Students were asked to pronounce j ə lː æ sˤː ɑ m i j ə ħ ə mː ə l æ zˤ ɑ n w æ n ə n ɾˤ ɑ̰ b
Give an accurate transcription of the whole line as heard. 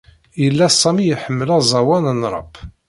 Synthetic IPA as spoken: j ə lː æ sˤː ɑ m i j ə ħ ə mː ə l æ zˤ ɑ w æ n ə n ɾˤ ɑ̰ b